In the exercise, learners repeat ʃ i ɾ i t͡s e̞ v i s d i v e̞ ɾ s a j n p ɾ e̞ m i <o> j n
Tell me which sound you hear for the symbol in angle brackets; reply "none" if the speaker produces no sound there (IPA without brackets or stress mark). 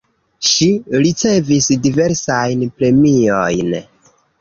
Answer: o